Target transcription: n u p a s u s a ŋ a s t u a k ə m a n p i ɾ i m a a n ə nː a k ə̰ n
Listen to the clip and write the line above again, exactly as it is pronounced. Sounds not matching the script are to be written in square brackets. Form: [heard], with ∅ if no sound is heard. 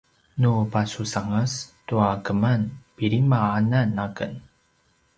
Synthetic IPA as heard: n u p a s u s a ŋ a s t u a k ə m a n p i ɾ i m a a n [a] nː a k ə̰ n